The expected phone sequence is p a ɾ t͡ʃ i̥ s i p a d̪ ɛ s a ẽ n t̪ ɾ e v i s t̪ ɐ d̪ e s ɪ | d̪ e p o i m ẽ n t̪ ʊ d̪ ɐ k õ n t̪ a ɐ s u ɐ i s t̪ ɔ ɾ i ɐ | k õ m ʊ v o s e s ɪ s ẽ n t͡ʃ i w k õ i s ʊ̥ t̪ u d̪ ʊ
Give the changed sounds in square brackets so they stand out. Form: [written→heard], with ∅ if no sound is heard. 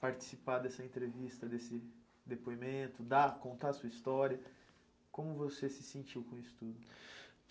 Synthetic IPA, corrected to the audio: p a ɾ t͡ʃ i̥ s i p a d̪ ɛ s [a→ɐ] ẽ n t̪ ɾ e v i s t̪ ɐ d̪ e s ɪ | d̪ e p o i m ẽ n t̪ ʊ d̪ [ɐ→a] k õ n t̪ a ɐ s u ɐ i s t̪ ɔ ɾ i ɐ | k õ m ʊ v o s e s ɪ s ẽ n t͡ʃ i w k õ i s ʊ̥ t̪ u d̪ ʊ